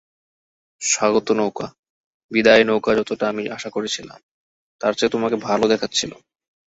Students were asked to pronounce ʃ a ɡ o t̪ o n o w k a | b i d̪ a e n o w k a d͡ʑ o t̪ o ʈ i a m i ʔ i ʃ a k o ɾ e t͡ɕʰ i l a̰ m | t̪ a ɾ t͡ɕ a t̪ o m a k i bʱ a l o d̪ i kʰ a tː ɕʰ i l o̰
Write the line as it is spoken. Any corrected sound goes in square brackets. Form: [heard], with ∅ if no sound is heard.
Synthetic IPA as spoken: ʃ a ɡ o t̪ o n o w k a | b i d̪ a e n o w k a d͡ʑ [ɔ] t̪ o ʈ [a] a m i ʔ [a] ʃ a k o ɾ e t͡ɕʰ i l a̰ m | t̪ a ɾ t͡ɕ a t̪ o m a k [e] bʱ a l o d̪ [ɛ] kʰ a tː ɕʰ i l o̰